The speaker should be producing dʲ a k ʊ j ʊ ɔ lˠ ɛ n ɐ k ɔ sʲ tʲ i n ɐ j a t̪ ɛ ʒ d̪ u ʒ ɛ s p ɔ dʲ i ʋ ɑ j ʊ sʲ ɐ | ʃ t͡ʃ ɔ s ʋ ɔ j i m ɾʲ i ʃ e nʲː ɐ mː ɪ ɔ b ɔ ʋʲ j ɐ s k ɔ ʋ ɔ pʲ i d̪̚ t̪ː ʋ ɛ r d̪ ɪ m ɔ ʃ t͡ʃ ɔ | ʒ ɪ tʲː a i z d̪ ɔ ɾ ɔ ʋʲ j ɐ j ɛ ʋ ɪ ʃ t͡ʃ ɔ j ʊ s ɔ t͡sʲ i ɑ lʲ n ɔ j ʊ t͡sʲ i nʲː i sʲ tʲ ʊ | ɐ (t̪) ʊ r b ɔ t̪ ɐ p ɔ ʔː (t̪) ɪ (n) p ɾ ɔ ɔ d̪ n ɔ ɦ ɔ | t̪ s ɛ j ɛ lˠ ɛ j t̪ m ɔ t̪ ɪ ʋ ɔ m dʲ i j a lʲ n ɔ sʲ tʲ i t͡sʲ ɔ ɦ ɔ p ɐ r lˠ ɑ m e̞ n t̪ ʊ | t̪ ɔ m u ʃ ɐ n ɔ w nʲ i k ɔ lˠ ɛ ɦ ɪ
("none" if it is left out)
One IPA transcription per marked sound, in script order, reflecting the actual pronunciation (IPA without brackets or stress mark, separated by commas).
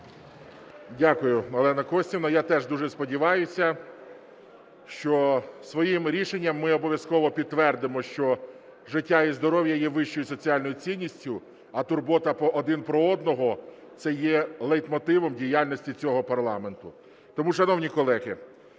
t̪, d̪, n